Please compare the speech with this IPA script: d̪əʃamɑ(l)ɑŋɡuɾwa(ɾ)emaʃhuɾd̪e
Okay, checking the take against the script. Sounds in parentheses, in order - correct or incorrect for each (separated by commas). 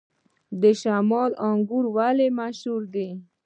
correct, incorrect